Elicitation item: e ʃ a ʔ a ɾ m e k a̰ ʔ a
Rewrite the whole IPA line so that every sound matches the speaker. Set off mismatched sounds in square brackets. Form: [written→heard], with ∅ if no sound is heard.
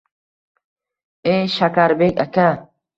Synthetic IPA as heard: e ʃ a [ʔ→k] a ɾ [m→b] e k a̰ [ʔ→k] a